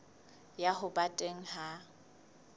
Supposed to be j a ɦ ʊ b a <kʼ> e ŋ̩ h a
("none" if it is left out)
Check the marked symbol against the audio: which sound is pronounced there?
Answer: tʼ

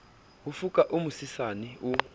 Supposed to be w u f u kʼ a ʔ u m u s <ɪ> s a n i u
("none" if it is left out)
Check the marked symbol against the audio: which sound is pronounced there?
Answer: i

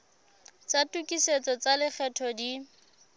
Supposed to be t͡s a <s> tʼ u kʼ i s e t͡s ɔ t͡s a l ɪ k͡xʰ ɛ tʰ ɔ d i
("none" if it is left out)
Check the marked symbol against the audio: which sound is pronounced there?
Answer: none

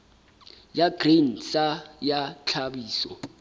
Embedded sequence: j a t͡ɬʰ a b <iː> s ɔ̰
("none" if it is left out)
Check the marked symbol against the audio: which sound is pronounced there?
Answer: iː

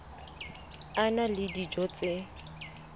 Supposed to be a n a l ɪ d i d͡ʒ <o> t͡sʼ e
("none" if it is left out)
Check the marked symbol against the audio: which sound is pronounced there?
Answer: ɔ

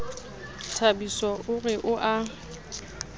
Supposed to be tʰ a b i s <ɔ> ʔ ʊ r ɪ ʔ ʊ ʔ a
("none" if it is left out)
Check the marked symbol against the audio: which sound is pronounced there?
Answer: ɔ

